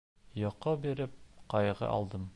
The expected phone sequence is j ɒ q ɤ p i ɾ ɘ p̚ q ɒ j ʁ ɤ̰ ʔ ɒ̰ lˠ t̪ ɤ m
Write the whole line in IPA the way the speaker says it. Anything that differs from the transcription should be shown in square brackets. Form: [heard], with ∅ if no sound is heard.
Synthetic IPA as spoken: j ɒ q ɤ [b] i ɾ ɘ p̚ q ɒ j ʁ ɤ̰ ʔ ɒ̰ lˠ [d̪] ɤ m